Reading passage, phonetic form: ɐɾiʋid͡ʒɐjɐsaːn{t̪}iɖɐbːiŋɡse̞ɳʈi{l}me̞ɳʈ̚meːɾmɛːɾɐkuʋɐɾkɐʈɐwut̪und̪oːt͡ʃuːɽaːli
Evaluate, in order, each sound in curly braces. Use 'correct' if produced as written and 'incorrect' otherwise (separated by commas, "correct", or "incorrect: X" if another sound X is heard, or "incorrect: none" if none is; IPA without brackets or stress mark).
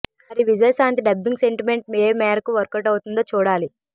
correct, incorrect: none